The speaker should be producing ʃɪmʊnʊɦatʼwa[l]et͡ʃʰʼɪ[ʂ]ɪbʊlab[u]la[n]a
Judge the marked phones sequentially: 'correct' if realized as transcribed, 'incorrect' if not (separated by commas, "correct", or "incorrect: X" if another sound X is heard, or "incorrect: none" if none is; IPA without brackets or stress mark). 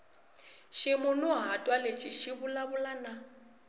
correct, incorrect: ʃ, incorrect: ʊ, correct